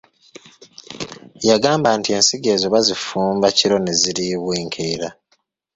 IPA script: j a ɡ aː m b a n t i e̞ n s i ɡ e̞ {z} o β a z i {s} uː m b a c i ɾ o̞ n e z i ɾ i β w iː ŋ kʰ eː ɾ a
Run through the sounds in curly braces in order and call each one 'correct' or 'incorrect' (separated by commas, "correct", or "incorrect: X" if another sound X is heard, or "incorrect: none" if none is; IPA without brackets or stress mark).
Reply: correct, incorrect: f